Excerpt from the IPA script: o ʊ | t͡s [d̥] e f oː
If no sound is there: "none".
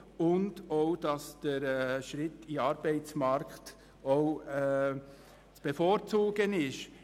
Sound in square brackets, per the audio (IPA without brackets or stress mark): b̥